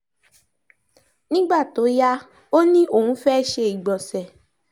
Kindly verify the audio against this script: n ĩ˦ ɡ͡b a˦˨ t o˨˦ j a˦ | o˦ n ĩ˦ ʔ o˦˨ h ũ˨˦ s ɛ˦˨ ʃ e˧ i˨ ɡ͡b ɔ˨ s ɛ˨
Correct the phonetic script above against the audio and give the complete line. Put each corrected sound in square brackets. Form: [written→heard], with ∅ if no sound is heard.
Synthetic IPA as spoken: n ĩ˦ ɡ͡b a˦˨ t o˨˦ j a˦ | o˦ n ĩ˦ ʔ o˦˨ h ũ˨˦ [s→f] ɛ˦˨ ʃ e˧ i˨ ɡ͡b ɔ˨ s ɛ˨